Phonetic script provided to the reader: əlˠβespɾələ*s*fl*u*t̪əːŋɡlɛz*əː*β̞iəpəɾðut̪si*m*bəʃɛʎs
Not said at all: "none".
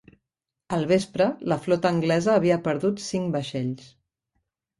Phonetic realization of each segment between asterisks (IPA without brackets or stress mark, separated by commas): none, ɔ, əː, ŋ